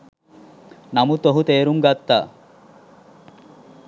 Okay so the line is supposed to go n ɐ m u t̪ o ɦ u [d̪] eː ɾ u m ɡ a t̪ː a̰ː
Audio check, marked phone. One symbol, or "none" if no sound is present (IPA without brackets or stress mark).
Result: t̪